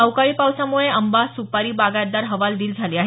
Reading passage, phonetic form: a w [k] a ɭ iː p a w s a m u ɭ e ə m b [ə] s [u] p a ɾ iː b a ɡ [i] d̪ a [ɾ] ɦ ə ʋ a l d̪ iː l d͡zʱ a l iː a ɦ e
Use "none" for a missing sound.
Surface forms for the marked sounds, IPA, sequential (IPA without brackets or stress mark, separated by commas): k, a, u, a, ɾ